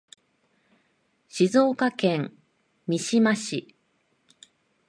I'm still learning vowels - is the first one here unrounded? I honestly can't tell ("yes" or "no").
yes